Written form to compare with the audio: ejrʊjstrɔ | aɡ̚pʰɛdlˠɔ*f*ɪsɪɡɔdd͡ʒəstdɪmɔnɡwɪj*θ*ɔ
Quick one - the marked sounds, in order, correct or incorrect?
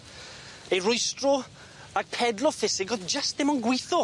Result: correct, correct

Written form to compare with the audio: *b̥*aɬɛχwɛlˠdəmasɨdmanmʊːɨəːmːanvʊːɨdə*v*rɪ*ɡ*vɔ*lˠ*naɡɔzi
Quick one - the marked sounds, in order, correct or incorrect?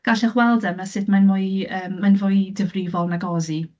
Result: incorrect, correct, incorrect, correct

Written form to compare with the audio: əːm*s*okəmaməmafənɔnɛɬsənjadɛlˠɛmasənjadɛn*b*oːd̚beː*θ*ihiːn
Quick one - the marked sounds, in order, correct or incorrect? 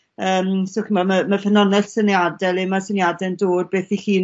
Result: correct, incorrect, correct

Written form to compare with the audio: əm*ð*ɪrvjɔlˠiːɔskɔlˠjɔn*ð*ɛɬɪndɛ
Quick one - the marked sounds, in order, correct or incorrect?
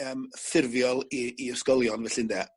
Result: incorrect, incorrect

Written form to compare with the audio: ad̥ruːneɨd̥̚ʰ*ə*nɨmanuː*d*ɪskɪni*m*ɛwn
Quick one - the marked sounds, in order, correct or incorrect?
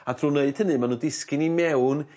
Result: correct, correct, correct

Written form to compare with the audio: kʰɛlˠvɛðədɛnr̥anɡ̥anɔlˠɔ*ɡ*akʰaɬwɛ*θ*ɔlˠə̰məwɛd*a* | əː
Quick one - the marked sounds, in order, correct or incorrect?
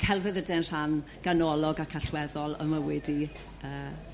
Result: correct, incorrect, incorrect

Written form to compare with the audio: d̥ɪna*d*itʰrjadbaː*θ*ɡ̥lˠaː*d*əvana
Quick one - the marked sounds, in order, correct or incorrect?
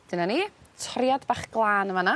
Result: incorrect, incorrect, incorrect

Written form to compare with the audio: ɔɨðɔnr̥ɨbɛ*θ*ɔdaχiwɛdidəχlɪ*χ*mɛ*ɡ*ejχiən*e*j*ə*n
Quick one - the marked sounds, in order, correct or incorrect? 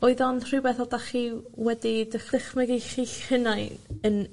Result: correct, correct, correct, incorrect, correct

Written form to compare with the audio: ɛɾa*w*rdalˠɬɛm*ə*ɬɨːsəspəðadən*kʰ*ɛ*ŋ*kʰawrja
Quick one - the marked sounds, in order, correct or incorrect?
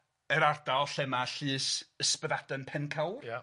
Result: incorrect, incorrect, incorrect, incorrect

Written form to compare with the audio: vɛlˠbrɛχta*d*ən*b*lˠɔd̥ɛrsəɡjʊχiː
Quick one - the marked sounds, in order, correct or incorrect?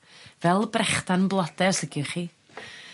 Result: incorrect, correct

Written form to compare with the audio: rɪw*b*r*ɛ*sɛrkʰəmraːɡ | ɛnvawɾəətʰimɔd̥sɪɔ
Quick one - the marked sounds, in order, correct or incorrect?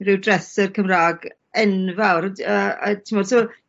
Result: incorrect, correct

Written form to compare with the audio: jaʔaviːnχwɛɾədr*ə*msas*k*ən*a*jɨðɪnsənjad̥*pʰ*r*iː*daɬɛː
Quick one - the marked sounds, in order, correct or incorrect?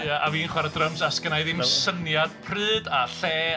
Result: correct, correct, correct, correct, incorrect

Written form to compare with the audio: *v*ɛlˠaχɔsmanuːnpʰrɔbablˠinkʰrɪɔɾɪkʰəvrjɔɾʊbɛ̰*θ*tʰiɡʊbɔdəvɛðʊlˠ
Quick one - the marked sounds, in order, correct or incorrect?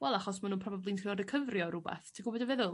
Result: incorrect, correct

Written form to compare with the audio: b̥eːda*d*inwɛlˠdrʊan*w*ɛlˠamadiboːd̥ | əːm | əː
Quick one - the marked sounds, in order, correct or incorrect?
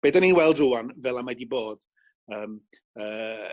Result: incorrect, incorrect

